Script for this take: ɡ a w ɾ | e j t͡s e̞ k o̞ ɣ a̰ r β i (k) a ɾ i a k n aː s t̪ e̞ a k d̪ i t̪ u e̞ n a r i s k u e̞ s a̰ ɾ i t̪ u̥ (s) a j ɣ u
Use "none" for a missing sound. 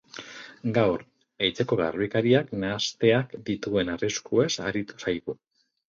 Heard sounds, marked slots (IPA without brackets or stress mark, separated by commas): k, s